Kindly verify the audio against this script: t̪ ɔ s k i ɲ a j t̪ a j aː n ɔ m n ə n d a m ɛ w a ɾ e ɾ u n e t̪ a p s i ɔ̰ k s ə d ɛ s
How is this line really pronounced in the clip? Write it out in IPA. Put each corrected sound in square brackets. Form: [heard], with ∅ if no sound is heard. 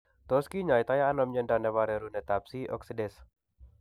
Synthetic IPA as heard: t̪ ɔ s k i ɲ a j t̪ a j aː n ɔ m [ɲ] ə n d a [n] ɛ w a ɾ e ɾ u n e t̪ a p s i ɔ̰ k s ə d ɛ s